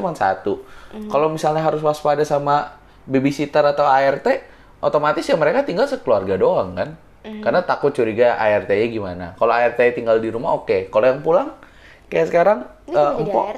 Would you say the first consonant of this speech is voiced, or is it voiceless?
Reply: voiced